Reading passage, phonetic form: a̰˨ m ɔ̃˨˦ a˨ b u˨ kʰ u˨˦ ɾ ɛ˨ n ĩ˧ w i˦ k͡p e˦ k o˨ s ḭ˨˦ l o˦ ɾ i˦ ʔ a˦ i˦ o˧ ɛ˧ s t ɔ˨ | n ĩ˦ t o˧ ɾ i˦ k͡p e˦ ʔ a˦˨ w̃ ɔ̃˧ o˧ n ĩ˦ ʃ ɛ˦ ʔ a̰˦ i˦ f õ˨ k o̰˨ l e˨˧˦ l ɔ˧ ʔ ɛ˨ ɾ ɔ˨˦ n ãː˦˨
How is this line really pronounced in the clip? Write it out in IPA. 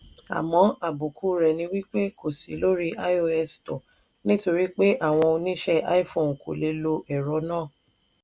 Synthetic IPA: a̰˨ m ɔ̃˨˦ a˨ b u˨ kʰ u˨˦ ɾ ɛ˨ n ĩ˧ w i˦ k͡p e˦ k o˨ s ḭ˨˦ l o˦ ɾ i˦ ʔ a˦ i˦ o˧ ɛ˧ s t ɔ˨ | n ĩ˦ t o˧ ɾ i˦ k͡p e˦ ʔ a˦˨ w̃ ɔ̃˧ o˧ n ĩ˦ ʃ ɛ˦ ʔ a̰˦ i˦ f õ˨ k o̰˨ l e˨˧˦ l o˧ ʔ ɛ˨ ɾ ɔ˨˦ n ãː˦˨